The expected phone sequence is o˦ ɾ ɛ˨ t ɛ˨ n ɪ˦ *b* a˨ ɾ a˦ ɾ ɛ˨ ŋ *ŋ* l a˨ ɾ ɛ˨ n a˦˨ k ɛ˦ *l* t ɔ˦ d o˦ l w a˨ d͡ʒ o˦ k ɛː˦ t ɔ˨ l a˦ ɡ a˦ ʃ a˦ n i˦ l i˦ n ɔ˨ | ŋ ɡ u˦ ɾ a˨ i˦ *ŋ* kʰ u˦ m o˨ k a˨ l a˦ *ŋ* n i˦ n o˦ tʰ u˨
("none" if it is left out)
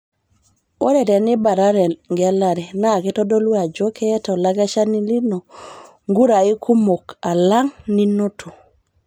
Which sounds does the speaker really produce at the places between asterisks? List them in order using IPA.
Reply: b, ɡ, none, none, ŋ

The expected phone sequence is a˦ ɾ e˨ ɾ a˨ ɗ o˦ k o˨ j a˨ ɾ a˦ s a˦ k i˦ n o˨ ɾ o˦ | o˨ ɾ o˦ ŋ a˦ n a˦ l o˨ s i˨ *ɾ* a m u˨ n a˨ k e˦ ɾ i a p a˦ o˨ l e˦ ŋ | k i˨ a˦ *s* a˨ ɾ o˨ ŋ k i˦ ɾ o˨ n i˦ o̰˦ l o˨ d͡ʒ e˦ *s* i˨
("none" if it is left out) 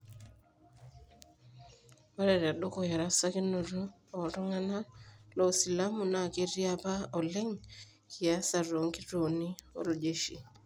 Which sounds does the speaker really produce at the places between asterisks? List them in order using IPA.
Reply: l, s, ʃ

